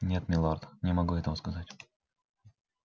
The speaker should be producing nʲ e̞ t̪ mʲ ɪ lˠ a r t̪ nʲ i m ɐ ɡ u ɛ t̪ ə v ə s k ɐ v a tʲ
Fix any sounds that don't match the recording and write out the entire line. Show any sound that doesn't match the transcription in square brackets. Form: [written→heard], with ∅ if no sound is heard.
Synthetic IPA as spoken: nʲ e̞ t̪ mʲ ɪ lˠ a r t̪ nʲ [i→ɪ] m ɐ ɡ u ɛ t̪ ə v ə s k ɐ [v→z] a tʲ